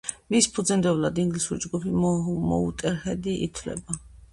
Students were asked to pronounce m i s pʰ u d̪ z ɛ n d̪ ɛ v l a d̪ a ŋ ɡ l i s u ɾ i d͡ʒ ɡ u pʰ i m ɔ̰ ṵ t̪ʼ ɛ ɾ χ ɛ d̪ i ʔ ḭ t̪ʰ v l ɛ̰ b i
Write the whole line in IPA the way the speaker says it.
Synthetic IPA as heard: m i s pʰ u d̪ z ɛ n d̪ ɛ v l a d̪ i ŋ ɡ l i s u ɾ i d͡ʒ ɡ u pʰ i m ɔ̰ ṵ t̪ʼ ɛ ɾ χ ɛ d̪ i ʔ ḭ t̪ʰ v l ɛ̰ b a